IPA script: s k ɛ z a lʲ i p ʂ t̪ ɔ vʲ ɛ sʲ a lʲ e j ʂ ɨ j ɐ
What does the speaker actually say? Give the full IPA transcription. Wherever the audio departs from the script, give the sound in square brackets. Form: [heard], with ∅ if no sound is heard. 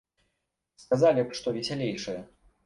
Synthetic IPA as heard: s k [a] z a lʲ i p ʂ t̪ ɔ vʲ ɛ sʲ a lʲ e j ʂ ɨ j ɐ